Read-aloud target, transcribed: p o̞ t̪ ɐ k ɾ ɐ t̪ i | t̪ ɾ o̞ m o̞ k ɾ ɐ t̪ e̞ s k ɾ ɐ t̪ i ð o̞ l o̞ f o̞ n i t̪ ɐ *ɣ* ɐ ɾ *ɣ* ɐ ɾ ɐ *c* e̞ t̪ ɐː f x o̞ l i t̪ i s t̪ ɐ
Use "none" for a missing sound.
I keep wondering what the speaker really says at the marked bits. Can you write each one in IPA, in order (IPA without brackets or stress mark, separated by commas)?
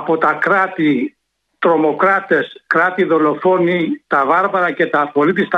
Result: v, v, c